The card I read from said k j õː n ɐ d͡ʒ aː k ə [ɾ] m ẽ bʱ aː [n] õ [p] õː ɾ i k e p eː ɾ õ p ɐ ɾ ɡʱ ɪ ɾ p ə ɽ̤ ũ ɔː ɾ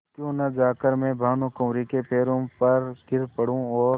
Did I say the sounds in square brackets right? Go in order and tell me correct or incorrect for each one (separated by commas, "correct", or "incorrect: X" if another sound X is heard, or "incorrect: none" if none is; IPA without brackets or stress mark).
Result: correct, correct, incorrect: k